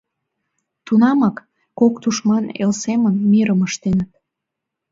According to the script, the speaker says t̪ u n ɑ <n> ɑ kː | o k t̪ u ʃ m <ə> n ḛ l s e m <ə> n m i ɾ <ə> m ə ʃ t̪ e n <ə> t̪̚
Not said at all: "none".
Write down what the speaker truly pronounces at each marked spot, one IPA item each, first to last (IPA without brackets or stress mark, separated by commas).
m, ɑ, ə, ə, ə